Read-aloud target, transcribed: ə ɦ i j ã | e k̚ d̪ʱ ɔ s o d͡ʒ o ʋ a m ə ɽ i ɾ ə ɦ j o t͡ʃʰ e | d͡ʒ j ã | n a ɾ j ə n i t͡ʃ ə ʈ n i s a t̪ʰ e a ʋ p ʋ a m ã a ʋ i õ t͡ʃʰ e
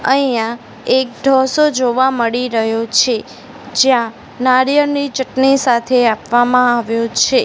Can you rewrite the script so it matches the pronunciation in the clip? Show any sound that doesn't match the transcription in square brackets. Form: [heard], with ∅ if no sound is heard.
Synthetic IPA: ə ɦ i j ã | e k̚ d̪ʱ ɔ s o d͡ʒ o ʋ a m ə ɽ i ɾ ə ɦ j o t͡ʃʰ e | d͡ʒ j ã | n a ɾ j ə n i t͡ʃ ə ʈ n i s a t̪ʰ e a [∅] p ʋ a m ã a ʋ [j] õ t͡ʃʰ e